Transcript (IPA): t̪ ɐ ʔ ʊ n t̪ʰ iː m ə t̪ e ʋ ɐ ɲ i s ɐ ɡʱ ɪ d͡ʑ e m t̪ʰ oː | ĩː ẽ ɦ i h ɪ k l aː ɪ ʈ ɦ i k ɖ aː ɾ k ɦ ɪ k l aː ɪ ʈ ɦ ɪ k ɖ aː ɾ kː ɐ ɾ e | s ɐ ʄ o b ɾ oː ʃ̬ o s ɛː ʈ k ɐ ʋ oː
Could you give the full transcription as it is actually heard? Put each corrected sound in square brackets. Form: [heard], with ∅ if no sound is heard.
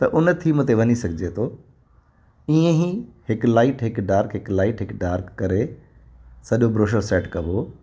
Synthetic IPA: t̪ ɐ ʔ ʊ n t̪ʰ iː m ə t̪ e ʋ ɐ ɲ i s ɐ ɡʱ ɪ d͡ʑ e [∅] t̪ʰ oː | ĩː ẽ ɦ i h ɪ k l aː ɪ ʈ ɦ [ɪ] k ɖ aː ɾ k ɦ ɪ k l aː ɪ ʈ ɦ ɪ k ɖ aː ɾ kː ɐ ɾ e | s ɐ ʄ o b ɾ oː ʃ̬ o s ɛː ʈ k ɐ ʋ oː